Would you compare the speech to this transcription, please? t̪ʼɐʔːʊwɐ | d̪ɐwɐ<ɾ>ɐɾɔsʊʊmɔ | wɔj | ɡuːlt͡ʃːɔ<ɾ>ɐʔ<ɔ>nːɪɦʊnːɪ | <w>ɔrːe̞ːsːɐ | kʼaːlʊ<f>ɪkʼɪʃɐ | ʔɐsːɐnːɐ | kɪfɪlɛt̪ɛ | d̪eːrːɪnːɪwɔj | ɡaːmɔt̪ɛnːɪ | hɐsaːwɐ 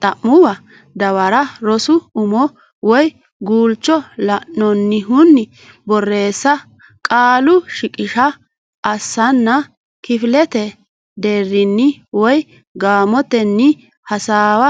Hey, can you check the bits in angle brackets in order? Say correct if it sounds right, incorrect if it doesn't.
correct, incorrect: l, correct, incorrect: b, incorrect: ʃ

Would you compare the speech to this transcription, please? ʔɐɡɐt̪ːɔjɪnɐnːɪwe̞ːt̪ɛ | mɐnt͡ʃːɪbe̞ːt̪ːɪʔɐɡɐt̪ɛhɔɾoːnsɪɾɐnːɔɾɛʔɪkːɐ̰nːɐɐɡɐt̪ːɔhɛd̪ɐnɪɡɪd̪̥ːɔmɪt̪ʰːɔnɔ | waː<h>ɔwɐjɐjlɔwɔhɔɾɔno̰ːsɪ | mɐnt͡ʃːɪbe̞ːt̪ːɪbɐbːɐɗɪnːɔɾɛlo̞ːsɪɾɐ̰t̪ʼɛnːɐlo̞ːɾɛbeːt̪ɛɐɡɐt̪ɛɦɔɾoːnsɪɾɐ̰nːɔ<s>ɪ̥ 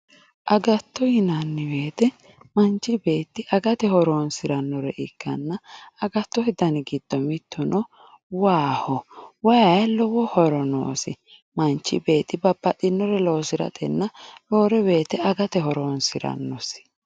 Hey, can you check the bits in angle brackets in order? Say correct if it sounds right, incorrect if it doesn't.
correct, correct

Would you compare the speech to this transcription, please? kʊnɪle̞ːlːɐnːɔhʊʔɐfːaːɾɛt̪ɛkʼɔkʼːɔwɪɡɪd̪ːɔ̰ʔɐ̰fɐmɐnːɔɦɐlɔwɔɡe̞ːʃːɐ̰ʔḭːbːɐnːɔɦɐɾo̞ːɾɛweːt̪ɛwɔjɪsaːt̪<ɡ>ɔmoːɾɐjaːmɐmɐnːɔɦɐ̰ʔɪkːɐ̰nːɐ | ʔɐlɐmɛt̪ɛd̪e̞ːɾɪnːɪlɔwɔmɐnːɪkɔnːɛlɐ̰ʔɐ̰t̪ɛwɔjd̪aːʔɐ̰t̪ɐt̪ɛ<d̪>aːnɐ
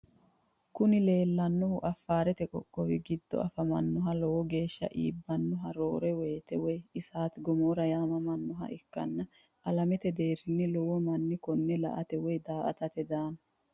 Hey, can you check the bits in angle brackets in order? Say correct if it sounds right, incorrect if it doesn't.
correct, correct

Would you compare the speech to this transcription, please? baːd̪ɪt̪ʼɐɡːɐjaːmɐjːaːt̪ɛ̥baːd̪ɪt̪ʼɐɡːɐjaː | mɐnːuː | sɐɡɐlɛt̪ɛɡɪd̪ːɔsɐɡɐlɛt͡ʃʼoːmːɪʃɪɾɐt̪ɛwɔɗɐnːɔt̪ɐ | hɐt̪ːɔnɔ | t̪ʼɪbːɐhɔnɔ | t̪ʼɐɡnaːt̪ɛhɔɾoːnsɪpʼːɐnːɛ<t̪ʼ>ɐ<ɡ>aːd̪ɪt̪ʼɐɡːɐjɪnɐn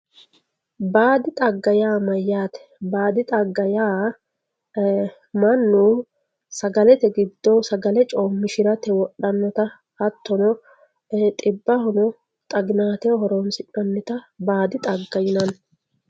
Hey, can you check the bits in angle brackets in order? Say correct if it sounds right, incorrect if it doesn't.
incorrect: t̪, incorrect: b

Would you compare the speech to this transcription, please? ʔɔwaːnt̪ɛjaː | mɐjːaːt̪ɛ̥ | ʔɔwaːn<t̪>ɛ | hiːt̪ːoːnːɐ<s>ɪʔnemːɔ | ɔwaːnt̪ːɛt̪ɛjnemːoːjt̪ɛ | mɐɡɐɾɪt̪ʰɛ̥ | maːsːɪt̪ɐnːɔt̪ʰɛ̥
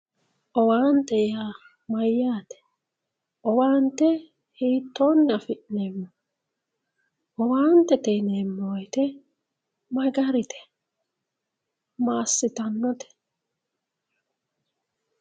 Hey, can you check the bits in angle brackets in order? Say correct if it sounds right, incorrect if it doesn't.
correct, incorrect: f

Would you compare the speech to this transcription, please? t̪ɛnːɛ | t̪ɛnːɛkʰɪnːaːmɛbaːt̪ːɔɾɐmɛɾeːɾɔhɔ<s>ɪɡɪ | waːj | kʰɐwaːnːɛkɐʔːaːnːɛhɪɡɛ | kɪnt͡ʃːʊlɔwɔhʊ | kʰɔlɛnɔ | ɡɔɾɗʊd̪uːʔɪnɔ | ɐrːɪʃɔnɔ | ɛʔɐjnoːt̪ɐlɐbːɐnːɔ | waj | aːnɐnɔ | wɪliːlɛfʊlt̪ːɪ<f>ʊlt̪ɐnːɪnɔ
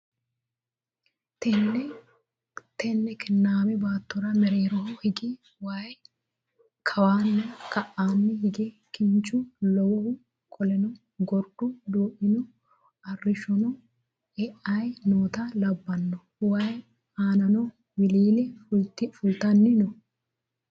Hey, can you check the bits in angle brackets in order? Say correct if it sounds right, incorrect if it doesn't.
incorrect: h, correct

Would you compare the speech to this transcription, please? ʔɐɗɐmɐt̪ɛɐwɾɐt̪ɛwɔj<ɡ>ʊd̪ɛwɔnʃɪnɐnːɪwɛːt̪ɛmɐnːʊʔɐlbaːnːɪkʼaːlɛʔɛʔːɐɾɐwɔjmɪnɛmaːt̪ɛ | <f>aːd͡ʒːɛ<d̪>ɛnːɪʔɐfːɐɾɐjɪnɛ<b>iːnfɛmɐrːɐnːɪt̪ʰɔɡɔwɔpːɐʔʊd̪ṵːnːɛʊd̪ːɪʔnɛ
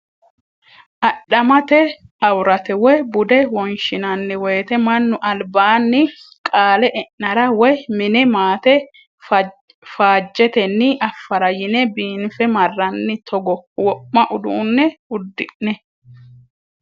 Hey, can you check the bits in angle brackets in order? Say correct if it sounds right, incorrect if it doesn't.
incorrect: b, correct, incorrect: t̪, correct

